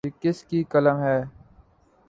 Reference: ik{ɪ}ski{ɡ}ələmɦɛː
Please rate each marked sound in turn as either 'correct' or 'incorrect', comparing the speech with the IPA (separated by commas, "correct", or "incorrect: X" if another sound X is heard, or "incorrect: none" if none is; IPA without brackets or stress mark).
correct, incorrect: k